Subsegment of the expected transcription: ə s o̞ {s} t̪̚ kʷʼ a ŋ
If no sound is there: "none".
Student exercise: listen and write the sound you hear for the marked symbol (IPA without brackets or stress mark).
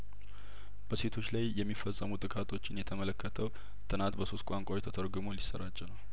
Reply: s